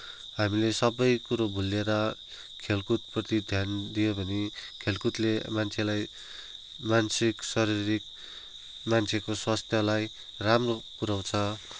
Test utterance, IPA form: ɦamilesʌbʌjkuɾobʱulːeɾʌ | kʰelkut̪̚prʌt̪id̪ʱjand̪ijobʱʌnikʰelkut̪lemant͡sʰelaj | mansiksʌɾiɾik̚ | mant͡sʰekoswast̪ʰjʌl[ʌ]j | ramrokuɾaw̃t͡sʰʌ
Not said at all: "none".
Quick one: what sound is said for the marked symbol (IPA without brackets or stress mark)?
a